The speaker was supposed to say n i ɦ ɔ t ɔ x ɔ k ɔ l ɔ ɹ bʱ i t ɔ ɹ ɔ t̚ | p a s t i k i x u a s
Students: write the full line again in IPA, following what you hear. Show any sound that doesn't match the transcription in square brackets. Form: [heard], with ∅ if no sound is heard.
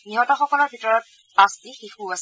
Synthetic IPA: n i ɦ ɔ t ɔ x ɔ k ɔ l ɔ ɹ bʱ i t ɔ ɹ ɔ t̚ | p a s t i [x] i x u a s